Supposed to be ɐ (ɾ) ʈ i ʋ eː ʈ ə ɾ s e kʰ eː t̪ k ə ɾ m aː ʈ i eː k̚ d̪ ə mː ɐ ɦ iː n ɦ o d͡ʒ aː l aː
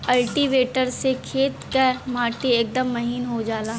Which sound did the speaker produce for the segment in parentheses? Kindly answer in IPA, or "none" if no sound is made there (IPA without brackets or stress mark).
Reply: l